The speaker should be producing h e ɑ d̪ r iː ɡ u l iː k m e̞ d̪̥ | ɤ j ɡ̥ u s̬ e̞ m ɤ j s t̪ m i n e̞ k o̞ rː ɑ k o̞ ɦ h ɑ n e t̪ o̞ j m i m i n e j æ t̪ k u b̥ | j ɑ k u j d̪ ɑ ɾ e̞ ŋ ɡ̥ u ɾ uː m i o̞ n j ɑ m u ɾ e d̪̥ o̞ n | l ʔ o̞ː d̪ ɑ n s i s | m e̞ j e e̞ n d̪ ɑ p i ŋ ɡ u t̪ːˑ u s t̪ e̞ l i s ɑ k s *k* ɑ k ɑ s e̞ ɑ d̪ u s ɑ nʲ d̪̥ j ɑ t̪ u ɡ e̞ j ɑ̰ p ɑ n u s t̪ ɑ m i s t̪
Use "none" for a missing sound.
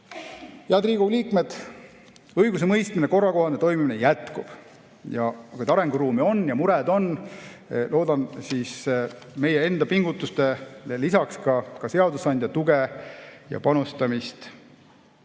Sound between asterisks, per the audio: k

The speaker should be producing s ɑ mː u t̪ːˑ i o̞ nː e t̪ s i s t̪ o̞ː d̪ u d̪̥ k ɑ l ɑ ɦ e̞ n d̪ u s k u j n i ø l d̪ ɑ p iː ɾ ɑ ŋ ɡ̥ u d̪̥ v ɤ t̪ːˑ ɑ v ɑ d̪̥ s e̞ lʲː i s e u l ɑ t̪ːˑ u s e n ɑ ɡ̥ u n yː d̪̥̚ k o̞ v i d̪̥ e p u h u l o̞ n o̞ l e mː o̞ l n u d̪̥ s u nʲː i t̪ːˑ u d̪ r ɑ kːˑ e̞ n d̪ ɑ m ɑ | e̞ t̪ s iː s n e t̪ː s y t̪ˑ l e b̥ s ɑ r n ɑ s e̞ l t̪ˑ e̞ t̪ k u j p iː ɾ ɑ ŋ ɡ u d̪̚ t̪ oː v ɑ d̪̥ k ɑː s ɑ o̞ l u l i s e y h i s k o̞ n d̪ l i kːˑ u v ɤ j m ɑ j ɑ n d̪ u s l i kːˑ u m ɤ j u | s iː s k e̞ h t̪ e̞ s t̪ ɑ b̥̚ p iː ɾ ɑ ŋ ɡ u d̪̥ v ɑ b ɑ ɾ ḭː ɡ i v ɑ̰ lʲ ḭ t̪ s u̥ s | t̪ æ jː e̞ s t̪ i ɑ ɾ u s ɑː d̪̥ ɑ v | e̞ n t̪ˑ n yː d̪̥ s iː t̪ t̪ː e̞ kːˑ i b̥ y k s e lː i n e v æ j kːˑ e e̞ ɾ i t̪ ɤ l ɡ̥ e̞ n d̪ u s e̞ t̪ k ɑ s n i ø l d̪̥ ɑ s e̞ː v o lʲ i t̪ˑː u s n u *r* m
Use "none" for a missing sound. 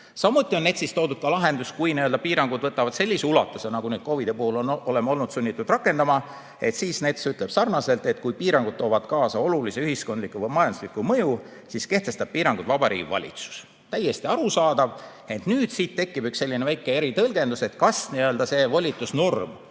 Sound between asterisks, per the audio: r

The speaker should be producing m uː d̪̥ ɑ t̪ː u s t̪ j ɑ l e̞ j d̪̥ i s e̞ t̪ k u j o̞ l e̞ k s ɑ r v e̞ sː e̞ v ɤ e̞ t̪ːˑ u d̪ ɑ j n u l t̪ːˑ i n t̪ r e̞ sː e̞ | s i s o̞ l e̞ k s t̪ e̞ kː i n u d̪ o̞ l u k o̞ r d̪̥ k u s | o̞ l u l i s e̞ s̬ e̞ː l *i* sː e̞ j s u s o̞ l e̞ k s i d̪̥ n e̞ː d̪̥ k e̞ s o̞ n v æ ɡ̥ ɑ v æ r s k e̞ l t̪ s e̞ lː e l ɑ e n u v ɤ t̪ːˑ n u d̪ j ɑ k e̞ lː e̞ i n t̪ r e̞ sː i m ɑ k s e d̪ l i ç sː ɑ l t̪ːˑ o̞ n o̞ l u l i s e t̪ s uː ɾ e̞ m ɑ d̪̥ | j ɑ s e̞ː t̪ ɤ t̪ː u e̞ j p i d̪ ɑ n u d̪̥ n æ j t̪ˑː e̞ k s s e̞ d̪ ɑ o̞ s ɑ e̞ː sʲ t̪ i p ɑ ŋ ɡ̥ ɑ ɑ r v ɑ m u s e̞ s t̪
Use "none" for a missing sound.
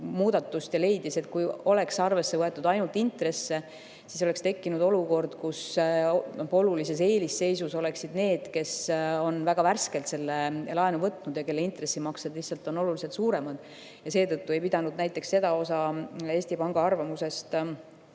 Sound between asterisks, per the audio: i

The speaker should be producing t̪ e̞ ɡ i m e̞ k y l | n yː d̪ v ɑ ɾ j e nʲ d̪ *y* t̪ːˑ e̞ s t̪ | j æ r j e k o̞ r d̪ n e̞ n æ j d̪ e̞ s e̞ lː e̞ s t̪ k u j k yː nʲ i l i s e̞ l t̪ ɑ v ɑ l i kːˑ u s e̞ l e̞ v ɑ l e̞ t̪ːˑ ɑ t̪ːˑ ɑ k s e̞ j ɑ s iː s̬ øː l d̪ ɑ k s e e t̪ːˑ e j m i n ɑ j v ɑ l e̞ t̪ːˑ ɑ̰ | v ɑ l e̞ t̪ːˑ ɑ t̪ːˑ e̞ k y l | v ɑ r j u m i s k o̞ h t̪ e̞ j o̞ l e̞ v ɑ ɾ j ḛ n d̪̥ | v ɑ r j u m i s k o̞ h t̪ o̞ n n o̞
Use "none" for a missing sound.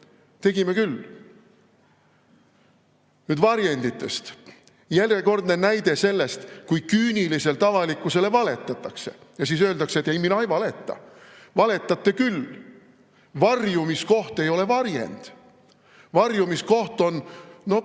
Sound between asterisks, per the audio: i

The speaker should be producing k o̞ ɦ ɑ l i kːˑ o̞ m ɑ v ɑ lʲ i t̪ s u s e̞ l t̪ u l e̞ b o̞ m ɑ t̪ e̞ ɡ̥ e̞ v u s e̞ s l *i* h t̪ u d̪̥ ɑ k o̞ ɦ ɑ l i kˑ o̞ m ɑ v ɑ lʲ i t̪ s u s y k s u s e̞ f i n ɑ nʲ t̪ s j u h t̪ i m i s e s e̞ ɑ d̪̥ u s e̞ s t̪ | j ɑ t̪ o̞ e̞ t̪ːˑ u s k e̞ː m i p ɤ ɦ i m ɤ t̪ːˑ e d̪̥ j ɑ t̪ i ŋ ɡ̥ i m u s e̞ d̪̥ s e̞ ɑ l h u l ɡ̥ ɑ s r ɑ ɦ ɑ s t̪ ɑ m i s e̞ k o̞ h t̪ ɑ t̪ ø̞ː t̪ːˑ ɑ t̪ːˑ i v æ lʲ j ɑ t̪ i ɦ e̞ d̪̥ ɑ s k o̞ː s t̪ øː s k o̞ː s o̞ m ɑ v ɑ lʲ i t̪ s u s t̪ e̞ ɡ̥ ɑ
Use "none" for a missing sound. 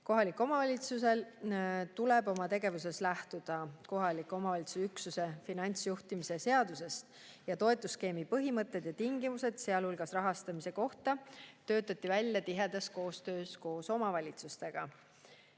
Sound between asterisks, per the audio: æ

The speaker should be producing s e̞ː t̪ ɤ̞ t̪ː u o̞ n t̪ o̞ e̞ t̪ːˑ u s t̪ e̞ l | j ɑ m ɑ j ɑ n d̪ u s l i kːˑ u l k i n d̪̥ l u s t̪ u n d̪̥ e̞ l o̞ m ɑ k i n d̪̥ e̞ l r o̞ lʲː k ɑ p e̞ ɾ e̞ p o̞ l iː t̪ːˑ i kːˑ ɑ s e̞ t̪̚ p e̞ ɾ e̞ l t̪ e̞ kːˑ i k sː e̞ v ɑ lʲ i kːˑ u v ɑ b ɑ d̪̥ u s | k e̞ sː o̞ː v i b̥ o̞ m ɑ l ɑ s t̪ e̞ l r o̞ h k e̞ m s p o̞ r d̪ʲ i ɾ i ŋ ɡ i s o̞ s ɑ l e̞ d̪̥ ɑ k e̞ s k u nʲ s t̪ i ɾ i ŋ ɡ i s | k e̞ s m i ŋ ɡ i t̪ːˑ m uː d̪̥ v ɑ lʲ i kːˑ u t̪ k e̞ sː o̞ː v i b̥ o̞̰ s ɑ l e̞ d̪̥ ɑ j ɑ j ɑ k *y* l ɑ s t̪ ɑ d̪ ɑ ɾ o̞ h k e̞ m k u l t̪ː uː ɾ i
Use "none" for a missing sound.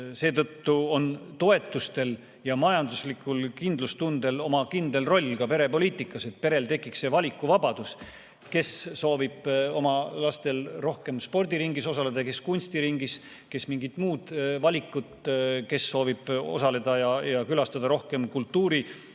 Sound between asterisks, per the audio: y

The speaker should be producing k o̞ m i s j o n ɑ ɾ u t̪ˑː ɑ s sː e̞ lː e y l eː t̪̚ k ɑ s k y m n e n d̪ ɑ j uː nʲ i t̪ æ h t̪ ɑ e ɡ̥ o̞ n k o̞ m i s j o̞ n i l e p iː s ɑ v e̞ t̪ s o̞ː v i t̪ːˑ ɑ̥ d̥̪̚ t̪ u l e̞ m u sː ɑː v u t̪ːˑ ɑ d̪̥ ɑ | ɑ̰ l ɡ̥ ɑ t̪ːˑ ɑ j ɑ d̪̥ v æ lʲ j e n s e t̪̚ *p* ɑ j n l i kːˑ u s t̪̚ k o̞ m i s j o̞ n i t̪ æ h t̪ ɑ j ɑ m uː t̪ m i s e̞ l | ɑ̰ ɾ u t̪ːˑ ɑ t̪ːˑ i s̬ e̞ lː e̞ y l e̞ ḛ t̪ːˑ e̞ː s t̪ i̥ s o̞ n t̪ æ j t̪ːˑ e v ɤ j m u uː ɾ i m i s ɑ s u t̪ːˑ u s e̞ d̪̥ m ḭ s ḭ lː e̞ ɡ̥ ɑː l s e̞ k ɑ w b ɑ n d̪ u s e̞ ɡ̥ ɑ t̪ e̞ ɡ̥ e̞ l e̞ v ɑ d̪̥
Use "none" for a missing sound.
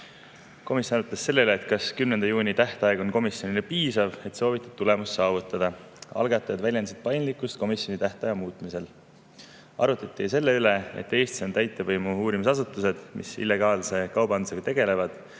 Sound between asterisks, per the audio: p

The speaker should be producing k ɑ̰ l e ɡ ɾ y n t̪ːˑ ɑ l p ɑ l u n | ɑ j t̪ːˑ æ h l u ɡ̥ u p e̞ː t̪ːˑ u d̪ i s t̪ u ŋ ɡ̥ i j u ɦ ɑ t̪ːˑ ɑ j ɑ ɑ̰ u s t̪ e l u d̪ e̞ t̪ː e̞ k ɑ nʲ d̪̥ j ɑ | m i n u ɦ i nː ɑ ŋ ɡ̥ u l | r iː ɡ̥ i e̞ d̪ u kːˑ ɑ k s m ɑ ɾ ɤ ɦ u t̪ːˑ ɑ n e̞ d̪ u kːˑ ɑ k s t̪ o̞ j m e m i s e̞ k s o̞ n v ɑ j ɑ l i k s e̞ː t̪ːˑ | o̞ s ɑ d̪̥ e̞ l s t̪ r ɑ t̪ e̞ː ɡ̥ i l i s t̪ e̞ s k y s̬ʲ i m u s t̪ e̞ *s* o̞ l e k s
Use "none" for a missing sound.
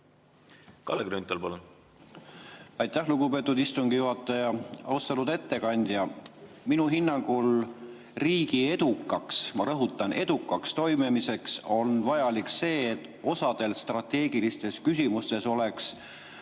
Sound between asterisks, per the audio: s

